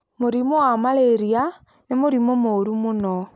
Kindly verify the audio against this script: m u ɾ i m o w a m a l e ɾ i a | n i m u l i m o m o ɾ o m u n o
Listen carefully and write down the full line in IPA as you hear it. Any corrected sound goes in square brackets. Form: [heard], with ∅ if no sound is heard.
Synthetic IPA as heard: m u ɾ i m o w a m a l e ɾ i a | n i m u [ɾ] i m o m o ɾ [u] m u n o